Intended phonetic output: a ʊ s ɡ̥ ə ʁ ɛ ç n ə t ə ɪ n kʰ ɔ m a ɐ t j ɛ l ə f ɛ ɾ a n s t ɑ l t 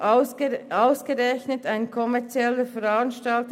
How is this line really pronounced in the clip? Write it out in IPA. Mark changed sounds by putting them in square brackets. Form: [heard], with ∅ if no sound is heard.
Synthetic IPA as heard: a ʊ s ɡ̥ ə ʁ ɛ ç n ə t [a] ɪ n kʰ ɔ m [ɛ] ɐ [t͡s] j ɛ l ə f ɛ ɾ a n [ʃ] t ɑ l t